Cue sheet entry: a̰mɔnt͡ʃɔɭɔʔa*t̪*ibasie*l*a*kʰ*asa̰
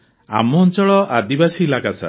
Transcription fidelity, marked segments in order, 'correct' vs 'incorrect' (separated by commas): incorrect, correct, incorrect